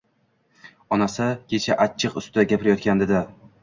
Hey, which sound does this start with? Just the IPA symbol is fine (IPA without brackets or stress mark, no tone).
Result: ɒ